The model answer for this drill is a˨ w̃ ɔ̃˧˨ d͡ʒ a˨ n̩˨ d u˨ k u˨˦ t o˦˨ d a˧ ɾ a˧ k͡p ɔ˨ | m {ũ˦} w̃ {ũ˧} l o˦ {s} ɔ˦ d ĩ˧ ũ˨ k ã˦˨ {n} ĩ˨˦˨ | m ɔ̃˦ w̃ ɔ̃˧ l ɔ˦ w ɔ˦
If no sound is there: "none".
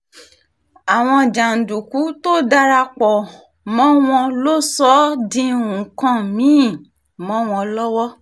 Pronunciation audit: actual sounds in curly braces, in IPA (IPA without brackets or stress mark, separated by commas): ɔ̃˦, ɔ̃˧, s, m